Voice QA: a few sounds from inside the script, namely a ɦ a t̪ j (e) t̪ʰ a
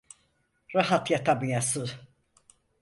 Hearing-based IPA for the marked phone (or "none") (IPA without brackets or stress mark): a